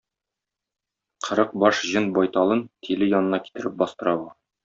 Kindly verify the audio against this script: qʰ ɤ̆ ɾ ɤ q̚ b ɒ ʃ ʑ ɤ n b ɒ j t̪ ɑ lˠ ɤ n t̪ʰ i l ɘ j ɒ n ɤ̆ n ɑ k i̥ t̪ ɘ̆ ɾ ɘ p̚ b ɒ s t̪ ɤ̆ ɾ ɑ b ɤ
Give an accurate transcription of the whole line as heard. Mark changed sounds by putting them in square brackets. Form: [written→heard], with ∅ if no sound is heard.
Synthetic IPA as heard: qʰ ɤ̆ ɾ ɤ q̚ b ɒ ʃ ʑ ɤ n b ɒ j t̪ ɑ lˠ ɤ n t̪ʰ i l ɘ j ɒ n ɤ̆ n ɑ k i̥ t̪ ɘ̆ ɾ ɘ p̚ b ɒ s t̪ ɤ̆ ɾ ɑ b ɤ